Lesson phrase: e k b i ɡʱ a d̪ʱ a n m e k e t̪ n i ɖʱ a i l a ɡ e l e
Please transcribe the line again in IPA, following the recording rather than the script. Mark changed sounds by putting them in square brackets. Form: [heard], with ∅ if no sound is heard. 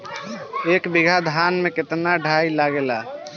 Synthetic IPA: e k b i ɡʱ a d̪ʱ a n m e k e t̪ n [a] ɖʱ a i l a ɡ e l [a]